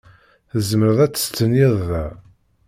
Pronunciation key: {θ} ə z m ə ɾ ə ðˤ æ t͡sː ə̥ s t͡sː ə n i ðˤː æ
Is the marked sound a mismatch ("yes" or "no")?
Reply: no